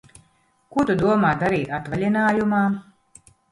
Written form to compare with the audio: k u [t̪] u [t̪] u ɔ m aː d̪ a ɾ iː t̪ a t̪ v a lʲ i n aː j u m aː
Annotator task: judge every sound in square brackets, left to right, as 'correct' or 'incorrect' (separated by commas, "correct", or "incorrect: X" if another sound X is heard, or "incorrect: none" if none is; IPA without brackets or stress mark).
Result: correct, incorrect: d̪